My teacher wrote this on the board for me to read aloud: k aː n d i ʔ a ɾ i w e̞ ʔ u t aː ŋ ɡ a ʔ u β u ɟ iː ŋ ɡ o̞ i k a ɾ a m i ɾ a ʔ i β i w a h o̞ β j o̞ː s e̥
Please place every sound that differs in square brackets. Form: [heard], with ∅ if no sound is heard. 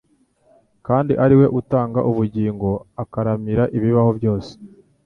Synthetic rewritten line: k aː n d i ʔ a ɾ i w e̞ ʔ u t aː ŋ ɡ a ʔ u β u ɟ iː ŋ ɡ o̞ [a] k a ɾ a m i ɾ a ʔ i β i [β] a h o̞ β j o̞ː s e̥